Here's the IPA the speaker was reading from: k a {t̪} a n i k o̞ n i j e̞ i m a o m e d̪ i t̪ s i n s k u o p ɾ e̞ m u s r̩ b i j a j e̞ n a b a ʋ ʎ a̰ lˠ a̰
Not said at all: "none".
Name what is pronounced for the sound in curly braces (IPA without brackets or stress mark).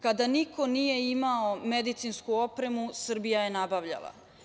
d̪